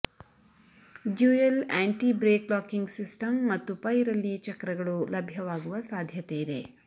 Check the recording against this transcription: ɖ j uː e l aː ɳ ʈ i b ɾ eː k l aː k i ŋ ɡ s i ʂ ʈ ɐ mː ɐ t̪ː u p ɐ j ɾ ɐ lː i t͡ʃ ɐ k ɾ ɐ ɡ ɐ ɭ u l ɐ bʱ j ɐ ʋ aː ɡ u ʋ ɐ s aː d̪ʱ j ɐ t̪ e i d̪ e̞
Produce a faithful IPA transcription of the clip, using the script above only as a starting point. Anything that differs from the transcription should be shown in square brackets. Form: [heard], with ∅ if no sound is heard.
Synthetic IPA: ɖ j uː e l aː ɳ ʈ i b ɾ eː k l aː k i ŋ ɡ s i [s] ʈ ɐ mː ɐ t̪ː u p ɐ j ɾ ɐ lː i t͡ʃ ɐ k ɾ ɐ ɡ ɐ ɭ u l ɐ bʱ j ɐ ʋ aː ɡ u ʋ ɐ s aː d̪ʱ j ɐ t̪ e i d̪ e̞